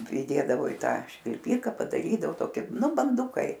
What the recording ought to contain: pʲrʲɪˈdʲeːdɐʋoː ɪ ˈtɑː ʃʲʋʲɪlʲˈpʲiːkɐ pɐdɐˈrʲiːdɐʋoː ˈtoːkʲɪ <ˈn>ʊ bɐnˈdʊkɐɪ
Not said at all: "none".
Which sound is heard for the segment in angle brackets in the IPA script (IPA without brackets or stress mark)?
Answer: n